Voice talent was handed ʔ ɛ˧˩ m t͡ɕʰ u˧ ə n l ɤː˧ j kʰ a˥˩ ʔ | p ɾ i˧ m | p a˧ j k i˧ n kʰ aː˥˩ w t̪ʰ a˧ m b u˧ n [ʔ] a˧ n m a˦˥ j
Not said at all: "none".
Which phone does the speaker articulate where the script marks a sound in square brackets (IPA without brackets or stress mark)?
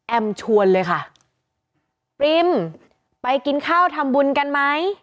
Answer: k